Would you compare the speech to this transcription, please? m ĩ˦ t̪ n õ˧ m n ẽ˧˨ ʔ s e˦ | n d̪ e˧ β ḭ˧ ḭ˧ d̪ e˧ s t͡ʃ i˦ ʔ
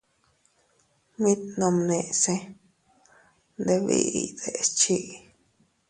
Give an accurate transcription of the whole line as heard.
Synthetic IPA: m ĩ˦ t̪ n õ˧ m n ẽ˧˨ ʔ s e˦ | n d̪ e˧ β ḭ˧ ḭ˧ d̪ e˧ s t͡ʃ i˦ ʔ